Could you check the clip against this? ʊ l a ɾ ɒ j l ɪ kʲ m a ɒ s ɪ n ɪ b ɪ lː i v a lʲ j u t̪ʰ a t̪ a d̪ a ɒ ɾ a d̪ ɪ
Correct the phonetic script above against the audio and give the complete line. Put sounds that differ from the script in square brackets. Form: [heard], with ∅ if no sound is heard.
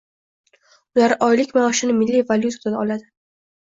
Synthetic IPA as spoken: ʊ l a ɾ ɒ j l ɪ kʲ m a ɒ [ʃ] ɪ n ɪ [m] ɪ lː i v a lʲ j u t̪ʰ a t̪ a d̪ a ɒ [l] a d̪ ɪ